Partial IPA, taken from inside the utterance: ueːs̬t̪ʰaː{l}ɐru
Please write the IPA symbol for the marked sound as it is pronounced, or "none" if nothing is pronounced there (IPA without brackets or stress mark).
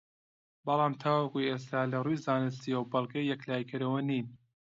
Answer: l